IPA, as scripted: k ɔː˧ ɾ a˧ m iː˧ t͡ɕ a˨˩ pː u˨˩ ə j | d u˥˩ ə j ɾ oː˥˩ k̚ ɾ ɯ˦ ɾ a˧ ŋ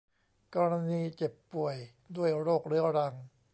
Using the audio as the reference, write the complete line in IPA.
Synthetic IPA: k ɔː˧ ɾ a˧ n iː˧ t͡ɕ e˨˩ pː u˨˩ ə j | d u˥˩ ə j ɾ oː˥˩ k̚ ɾ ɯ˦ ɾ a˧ ŋ